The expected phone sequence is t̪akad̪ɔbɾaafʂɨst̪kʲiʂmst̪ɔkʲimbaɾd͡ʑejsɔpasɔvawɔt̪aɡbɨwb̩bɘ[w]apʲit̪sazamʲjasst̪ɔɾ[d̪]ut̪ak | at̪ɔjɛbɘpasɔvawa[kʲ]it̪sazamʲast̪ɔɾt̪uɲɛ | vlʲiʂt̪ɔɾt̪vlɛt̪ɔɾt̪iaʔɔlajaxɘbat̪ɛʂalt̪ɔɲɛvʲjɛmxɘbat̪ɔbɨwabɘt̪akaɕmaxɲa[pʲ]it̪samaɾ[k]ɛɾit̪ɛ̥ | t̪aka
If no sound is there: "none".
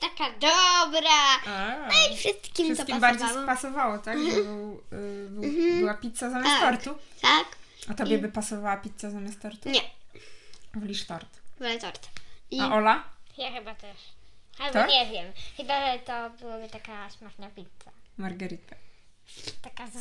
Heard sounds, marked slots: w, t̪, pʲ, pʲ, ɡ

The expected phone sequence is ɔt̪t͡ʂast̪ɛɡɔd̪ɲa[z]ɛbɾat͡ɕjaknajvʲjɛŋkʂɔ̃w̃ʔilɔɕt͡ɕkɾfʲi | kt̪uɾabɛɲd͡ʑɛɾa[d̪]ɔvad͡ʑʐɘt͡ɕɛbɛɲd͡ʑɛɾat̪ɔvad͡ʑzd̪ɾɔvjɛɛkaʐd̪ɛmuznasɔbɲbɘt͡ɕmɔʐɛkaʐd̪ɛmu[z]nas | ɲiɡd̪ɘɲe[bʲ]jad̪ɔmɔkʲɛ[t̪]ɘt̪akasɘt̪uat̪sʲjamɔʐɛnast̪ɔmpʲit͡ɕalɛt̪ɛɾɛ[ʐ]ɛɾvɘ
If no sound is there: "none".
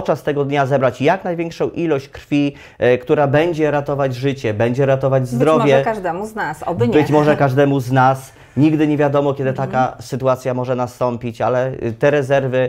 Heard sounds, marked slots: z, t̪, z, vʲ, d̪, z

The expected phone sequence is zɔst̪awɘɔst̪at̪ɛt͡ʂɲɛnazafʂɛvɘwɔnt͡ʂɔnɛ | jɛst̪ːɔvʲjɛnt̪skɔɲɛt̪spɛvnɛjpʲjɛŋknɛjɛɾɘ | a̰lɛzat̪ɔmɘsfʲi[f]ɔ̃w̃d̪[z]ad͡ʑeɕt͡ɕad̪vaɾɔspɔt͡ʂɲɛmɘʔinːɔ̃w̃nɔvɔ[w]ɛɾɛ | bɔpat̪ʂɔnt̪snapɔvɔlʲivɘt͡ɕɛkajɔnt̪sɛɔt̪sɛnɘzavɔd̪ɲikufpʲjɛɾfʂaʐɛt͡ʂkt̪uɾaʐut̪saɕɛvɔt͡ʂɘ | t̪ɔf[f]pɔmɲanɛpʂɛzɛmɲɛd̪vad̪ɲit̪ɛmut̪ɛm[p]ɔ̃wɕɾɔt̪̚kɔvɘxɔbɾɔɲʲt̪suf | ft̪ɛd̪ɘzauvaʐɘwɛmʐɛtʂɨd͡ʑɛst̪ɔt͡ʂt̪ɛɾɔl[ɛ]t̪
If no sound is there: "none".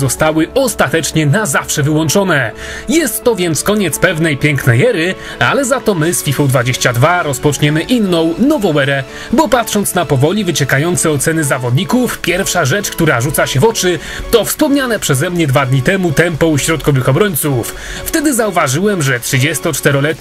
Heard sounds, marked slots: f, v, w, s, p, ɛ

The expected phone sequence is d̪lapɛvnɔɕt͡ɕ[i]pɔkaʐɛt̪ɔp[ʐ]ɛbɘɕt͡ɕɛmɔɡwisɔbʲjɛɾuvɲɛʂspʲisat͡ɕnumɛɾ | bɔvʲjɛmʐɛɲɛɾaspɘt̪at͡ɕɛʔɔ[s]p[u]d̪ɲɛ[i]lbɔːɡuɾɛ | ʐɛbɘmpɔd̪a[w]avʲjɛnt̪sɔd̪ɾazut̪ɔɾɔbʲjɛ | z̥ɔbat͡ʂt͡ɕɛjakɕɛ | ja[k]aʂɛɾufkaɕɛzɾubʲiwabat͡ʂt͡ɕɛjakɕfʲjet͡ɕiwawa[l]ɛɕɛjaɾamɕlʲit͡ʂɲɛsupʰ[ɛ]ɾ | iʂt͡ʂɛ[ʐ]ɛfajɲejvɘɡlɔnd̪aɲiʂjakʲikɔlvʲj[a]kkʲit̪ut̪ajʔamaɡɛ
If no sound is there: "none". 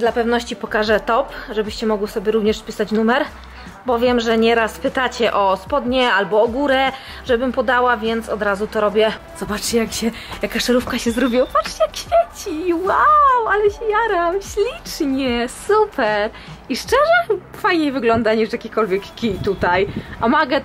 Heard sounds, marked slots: i, ʐ, s, ɔ, a, w, k, l, ɛ, ʐ, ɛ

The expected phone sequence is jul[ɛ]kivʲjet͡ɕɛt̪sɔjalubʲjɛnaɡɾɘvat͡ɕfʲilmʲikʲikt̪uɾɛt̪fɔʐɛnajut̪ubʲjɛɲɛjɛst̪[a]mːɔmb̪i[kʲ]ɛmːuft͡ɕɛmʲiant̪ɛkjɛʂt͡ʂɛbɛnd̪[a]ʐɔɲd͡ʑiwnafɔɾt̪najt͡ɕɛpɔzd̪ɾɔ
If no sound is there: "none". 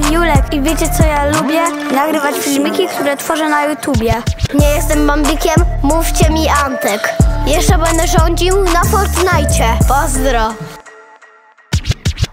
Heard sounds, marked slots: ɛ, ɛ, kʲ, ɛ

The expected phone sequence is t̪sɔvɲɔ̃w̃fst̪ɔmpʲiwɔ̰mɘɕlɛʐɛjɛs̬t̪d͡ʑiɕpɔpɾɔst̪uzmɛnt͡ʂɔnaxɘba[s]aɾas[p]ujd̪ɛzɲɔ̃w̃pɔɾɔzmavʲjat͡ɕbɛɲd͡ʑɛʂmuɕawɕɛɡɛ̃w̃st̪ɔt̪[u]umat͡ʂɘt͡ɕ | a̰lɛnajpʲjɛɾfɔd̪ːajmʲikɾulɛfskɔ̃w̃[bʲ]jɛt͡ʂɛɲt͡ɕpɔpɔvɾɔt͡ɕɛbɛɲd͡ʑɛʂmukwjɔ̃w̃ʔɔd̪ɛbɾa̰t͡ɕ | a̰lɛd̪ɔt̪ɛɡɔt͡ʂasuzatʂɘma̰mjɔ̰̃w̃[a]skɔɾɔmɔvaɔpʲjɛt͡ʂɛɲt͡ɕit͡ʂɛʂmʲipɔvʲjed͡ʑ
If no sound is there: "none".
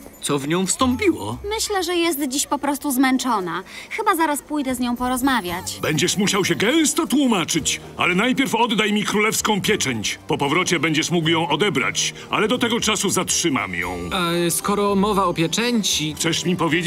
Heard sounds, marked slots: z, p, w, pʲ, a

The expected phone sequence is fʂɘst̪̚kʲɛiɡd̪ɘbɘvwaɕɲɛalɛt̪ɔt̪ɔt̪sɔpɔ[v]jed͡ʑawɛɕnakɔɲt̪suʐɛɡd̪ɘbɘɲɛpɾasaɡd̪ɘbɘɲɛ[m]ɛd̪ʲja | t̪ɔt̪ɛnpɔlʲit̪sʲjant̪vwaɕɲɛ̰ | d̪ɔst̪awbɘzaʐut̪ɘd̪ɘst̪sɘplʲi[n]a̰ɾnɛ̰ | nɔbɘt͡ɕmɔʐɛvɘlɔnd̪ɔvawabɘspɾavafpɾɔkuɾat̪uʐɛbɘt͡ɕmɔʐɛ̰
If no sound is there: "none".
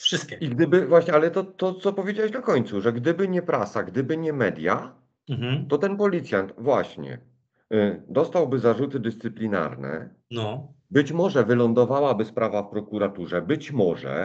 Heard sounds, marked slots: v, m, n

